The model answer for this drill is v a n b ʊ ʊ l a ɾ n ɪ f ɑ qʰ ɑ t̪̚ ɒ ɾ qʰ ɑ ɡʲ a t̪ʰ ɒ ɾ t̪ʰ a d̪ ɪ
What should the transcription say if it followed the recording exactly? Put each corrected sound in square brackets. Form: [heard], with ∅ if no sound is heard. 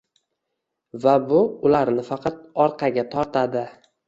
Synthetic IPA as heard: v a [∅] b ʊ ʊ l a ɾ n ɪ f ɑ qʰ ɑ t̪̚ ɒ ɾ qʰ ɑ ɡʲ a t̪ʰ ɒ ɾ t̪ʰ a d̪ ɪ